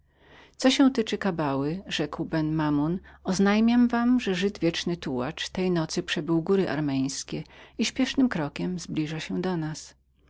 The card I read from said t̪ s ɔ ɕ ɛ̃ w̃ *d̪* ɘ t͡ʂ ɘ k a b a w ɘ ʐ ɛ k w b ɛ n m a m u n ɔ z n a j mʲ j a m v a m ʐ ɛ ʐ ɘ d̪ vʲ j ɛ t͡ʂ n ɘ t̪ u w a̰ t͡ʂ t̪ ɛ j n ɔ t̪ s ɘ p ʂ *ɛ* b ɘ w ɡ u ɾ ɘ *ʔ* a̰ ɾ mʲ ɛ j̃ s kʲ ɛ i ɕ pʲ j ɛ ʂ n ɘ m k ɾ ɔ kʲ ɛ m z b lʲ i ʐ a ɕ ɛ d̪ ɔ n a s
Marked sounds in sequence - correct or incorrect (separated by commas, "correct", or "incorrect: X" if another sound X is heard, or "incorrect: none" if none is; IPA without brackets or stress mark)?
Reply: incorrect: t̪, correct, correct